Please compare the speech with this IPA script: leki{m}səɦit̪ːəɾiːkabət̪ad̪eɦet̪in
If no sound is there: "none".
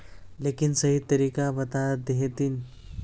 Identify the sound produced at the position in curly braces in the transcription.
n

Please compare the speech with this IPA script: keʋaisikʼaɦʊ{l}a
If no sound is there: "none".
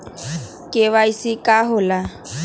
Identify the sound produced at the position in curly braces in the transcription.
l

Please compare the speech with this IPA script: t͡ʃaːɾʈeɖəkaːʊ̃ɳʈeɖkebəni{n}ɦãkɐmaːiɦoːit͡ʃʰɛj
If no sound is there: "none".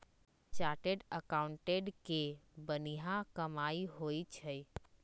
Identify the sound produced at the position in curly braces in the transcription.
none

